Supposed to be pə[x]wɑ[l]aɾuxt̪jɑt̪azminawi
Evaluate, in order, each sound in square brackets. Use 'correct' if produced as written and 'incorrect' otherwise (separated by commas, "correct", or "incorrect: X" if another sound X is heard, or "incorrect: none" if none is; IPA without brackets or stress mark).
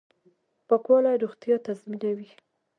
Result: incorrect: k, correct